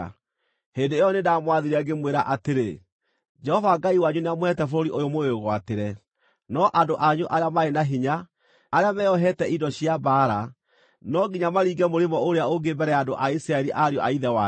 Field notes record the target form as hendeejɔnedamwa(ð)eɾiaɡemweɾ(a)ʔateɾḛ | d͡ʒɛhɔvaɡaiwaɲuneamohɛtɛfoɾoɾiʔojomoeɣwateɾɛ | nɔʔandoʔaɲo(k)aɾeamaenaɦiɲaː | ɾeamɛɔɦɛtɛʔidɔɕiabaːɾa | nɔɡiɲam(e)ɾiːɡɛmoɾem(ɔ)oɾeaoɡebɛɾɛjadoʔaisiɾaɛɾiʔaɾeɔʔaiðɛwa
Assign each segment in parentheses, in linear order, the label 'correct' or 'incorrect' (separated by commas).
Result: correct, correct, incorrect, incorrect, correct